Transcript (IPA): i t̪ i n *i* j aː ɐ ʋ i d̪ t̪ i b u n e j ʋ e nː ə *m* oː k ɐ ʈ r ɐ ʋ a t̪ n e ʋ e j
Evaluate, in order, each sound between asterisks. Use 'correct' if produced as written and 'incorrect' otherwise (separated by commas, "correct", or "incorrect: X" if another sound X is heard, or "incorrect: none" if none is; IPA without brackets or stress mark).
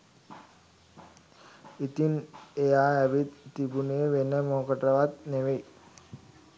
incorrect: e, correct